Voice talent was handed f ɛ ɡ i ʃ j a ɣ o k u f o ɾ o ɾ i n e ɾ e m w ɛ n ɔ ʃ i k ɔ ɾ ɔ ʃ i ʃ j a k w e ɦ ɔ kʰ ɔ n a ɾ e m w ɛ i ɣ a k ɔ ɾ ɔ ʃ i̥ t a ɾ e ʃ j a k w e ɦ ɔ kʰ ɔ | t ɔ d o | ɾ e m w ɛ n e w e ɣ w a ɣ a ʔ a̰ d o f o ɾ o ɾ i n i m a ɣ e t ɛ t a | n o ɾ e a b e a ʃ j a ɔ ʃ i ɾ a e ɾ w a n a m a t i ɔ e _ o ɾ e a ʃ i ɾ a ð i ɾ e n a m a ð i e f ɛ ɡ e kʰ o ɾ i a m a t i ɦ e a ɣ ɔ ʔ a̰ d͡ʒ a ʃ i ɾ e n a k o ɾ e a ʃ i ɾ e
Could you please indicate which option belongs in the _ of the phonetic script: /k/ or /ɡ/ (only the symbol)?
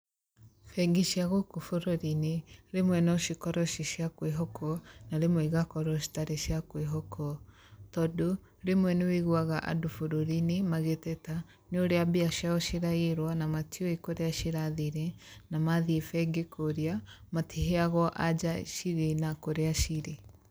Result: k